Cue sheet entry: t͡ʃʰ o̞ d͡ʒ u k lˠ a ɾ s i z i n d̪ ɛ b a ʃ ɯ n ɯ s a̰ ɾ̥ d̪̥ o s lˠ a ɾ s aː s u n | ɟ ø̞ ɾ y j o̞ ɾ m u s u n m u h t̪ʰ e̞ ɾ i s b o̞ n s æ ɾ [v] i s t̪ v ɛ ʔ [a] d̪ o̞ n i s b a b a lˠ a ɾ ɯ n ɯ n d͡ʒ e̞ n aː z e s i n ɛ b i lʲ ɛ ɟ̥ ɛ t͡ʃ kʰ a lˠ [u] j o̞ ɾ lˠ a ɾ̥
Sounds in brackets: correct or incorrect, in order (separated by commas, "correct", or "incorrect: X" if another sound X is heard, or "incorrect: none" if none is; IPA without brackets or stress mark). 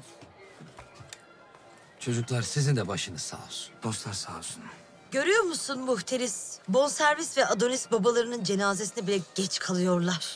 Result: correct, correct, incorrect: ɯ